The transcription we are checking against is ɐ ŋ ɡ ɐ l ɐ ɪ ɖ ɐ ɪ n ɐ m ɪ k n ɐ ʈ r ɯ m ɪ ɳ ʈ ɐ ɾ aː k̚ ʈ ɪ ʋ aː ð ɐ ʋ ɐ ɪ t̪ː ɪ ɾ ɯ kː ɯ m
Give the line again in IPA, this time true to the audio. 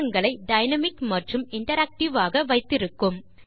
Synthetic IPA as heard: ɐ ŋ ɡ ɐ ɭ ɐ ɪ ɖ ɐ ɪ n ɐ m ɪ k m ɐ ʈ r ɯ m ɪ ɳ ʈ ɐ ɾ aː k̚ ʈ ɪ ʋ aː ɣ ɐ ʋ ɐ ɪ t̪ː ɪ ɾ ɯ kː ɯ m